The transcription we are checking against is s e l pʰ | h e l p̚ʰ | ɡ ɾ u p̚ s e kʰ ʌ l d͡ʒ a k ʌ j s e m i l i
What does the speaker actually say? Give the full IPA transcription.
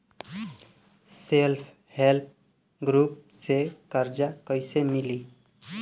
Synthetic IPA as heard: s e l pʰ | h e l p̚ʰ | ɡ ɾ u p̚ s e k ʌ ɾ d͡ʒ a k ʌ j s e m i l i